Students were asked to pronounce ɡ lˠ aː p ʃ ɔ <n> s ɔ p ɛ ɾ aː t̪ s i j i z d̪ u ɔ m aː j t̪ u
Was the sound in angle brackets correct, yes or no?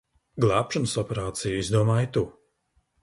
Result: yes